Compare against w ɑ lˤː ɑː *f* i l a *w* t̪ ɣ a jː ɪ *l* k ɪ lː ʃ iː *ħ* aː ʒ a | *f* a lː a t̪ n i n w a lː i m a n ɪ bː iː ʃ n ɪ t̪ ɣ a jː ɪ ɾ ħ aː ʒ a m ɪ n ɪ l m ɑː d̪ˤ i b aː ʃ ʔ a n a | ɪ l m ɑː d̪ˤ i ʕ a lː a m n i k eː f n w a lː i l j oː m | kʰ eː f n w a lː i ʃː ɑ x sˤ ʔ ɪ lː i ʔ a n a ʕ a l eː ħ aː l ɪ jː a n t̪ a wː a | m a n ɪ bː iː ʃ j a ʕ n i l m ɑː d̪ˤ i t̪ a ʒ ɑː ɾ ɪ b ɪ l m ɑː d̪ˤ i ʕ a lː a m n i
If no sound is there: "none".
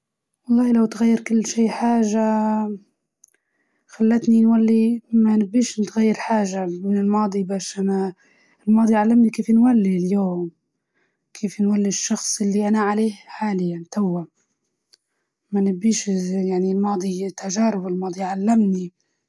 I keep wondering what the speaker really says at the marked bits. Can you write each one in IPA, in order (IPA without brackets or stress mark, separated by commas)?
h, w, ɾ, ħ, x